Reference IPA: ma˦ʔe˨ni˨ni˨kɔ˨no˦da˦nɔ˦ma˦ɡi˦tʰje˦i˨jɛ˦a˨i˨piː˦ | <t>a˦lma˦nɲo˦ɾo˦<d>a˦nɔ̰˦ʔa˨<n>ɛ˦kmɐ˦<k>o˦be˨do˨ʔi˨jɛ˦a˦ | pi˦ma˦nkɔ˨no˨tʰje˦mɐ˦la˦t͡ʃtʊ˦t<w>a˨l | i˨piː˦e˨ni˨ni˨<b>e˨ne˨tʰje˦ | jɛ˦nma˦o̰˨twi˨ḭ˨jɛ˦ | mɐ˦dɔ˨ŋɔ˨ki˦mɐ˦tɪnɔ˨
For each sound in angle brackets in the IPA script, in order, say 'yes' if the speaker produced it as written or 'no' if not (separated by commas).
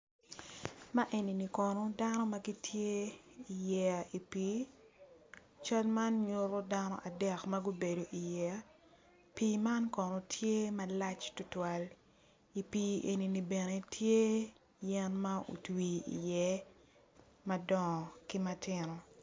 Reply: no, yes, no, no, yes, yes